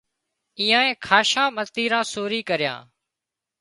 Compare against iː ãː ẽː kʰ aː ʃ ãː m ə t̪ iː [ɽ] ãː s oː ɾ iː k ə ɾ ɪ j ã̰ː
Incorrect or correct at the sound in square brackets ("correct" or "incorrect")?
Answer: incorrect